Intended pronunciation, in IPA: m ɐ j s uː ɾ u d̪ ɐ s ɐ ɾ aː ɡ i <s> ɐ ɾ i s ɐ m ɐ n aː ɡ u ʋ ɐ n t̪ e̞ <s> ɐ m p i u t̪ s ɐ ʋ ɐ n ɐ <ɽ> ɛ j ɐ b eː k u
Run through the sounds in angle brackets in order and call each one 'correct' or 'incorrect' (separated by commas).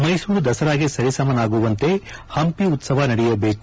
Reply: correct, incorrect, correct